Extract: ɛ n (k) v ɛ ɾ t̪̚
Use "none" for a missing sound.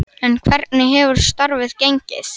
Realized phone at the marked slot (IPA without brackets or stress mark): kʰ